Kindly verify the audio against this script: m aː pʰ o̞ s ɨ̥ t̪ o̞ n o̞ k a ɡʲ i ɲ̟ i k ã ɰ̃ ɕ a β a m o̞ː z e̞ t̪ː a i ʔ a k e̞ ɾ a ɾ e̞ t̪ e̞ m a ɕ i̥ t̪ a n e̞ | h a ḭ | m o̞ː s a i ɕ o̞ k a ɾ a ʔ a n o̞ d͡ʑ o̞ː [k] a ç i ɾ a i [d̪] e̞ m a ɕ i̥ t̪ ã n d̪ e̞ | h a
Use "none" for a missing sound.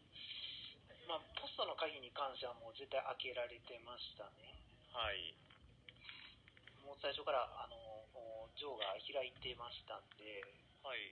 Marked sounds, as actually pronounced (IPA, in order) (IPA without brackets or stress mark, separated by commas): ɡ, t̪